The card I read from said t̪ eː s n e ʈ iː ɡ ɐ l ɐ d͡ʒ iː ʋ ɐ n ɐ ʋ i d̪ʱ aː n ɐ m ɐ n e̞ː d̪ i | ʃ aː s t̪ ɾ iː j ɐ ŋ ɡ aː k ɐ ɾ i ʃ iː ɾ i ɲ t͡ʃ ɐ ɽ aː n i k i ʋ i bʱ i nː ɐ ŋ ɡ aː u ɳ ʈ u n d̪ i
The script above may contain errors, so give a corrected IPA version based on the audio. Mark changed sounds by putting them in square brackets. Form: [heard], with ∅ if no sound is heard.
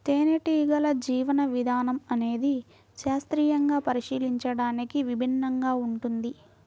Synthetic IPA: t̪ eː [∅] n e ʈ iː ɡ ɐ l ɐ d͡ʒ iː ʋ ɐ n ɐ ʋ i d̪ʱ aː n ɐ m ɐ n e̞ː d̪ i | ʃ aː s t̪ ɾ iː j ɐ ŋ ɡ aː [p] ɐ ɾ i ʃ iː [l] i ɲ t͡ʃ ɐ ɽ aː n i k i ʋ i bʱ i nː ɐ ŋ ɡ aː u ɳ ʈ u n d̪ i